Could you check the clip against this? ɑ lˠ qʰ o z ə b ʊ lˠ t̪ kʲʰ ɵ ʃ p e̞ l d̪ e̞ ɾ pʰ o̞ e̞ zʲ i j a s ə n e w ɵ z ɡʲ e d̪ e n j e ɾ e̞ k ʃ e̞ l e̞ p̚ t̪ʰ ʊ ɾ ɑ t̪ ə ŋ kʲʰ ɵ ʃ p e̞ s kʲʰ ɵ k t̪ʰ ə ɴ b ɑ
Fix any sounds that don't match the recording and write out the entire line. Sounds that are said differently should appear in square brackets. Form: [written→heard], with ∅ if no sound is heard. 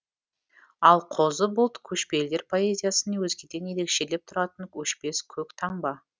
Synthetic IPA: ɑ lˠ qʰ o z ə b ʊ lˠ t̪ kʲʰ ɵ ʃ p e̞ l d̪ e̞ ɾ pʰ o̞ e̞ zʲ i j a s ə n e w ɵ z ɡʲ e d̪ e n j e ɾ e̞ k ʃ e̞ l e̞ p̚ t̪ʰ ʊ ɾ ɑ t̪ ə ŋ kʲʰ ɵ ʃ p e̞ s kʲʰ ɵ k t̪ʰ [ə→ɑ] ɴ b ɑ